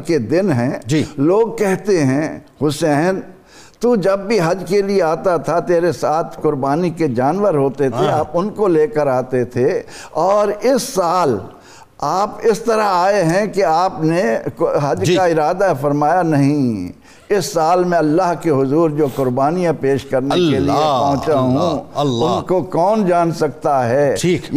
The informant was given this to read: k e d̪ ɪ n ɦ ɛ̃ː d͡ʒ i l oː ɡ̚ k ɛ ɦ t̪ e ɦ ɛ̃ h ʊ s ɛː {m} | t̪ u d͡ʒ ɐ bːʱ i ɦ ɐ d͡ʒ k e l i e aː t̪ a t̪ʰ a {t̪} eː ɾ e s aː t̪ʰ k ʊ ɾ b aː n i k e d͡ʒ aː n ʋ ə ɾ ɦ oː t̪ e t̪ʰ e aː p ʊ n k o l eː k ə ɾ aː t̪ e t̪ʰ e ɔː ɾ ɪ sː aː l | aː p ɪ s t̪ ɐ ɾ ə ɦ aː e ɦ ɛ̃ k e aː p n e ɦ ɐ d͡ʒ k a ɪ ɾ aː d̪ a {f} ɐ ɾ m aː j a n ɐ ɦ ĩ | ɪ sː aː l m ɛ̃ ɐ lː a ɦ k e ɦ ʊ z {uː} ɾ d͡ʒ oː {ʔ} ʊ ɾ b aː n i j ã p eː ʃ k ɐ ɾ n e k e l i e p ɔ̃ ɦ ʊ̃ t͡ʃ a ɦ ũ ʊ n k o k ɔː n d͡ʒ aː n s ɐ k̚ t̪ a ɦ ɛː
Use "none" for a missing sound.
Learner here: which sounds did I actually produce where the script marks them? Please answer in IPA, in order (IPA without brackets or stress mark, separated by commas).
n, t̪, f, uː, k